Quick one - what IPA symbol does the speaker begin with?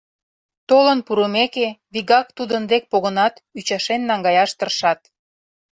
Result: t̪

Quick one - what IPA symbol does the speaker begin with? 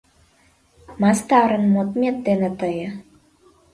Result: m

